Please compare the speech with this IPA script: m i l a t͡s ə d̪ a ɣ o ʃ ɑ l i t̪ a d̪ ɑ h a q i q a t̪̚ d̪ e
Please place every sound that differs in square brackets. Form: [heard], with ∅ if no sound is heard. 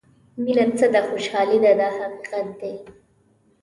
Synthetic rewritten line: m i l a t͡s ə d̪ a [x] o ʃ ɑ l i [d̪] a d̪ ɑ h a q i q a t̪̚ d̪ e